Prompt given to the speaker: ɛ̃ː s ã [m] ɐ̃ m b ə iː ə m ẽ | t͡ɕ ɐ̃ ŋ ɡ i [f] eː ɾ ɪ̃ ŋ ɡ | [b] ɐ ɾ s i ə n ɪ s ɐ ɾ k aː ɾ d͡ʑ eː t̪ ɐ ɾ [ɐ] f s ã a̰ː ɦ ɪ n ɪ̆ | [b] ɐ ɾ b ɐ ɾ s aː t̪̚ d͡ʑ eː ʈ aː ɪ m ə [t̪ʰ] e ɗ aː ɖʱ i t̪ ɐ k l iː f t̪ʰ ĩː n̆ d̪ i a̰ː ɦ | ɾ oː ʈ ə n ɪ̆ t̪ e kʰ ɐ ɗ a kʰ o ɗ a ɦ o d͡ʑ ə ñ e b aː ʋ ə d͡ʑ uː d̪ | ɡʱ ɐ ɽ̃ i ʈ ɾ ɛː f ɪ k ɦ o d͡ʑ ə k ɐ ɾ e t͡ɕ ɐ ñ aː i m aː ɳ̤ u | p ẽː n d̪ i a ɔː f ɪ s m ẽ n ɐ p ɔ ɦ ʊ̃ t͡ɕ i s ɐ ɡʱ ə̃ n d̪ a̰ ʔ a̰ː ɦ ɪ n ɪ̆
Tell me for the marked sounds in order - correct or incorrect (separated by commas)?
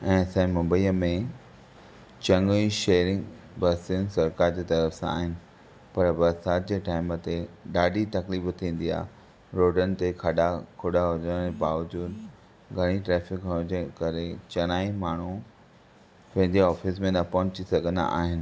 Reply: correct, incorrect, correct, incorrect, incorrect, incorrect